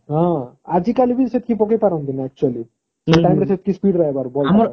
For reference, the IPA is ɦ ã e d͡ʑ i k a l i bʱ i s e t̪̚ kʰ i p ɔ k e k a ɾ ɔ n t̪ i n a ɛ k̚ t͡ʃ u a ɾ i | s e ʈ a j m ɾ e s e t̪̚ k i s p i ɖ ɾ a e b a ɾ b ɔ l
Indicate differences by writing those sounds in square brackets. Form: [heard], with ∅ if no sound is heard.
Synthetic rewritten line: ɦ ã [a] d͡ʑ i k a l i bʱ i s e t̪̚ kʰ i p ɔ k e [p] a ɾ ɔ n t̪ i n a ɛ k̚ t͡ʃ u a [l] i | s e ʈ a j m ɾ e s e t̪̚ k i s p i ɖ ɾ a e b a ɾ b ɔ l